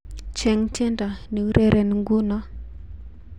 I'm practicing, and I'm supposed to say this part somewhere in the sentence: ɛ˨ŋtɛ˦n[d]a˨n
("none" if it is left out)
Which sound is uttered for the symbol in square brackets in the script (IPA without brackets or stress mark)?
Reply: d